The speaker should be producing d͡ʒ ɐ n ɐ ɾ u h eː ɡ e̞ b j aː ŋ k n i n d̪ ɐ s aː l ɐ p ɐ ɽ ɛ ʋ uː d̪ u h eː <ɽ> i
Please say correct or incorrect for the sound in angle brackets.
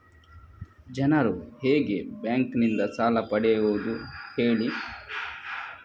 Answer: incorrect